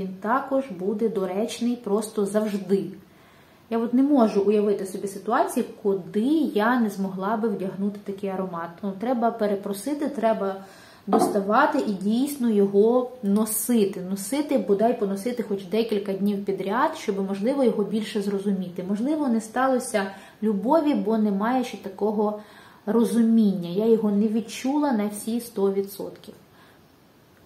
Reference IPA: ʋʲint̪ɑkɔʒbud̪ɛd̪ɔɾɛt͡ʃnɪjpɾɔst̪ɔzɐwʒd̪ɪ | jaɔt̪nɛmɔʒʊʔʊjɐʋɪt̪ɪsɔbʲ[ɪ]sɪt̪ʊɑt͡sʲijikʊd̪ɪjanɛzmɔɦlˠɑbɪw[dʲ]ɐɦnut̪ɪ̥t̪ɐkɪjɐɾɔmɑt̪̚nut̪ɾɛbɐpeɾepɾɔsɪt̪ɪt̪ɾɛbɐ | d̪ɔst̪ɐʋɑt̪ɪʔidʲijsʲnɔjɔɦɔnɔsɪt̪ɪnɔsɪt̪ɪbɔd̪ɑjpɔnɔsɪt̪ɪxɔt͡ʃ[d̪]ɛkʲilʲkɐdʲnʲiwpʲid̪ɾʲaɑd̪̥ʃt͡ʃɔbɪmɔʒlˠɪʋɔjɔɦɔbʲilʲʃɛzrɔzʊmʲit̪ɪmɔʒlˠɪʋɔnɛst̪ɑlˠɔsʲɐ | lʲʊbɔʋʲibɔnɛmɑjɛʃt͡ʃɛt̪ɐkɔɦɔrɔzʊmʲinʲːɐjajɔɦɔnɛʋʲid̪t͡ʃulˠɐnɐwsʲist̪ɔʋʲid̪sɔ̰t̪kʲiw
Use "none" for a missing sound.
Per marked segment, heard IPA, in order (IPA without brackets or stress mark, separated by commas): i, dʲ, d̪